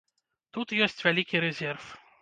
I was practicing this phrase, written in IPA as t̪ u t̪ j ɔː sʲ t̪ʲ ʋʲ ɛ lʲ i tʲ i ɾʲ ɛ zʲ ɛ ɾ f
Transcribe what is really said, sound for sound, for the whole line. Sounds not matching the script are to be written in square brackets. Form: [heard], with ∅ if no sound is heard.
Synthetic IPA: t̪ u t̪ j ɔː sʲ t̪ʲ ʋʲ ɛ lʲ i [kʲ] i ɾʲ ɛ zʲ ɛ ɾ f